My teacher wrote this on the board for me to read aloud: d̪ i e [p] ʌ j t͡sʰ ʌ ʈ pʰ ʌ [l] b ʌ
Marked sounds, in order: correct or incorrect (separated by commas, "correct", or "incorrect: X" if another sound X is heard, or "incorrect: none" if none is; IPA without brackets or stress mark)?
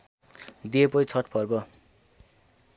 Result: correct, incorrect: r